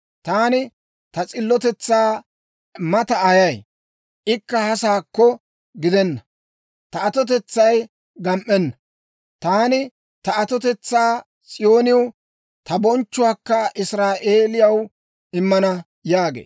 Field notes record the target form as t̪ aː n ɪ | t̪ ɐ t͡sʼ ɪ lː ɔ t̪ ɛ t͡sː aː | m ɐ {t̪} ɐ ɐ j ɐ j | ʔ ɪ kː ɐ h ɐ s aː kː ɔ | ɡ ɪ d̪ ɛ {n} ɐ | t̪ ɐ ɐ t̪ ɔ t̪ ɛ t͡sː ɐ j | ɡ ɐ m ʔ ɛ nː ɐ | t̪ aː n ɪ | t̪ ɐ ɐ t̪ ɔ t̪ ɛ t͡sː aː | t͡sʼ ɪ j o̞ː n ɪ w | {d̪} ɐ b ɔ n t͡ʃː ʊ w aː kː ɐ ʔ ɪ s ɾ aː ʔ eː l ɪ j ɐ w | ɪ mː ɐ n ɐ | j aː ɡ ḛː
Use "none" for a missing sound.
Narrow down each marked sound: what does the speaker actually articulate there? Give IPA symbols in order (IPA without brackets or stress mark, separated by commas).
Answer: t̪, nː, t̪